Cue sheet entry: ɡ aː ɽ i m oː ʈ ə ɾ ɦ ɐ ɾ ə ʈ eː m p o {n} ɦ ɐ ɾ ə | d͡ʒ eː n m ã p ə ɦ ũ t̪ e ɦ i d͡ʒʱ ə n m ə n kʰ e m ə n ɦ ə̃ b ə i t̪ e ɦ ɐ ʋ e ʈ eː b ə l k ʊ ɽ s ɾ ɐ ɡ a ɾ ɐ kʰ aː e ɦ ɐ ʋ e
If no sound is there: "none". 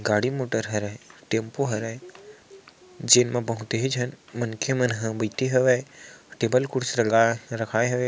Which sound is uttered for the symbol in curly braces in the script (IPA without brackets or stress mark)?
none